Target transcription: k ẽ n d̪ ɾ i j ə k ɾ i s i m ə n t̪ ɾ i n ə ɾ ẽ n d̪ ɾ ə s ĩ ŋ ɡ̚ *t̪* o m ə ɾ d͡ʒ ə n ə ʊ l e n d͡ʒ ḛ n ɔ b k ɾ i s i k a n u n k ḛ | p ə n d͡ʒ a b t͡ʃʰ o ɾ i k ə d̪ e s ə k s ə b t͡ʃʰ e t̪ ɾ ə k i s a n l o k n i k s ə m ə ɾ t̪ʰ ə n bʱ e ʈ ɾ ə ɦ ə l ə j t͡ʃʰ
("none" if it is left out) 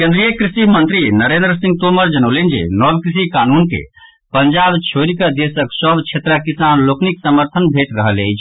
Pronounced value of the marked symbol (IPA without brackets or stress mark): t̪